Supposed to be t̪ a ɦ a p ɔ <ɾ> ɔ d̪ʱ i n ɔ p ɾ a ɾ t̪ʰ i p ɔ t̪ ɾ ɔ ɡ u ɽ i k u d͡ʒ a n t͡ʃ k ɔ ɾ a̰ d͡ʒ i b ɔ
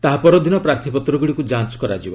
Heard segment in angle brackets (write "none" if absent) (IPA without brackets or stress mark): ɾ